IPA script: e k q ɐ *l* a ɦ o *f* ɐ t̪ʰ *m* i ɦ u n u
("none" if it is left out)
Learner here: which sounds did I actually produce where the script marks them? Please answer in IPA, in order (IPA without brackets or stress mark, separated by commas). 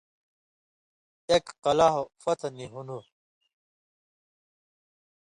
l, f, n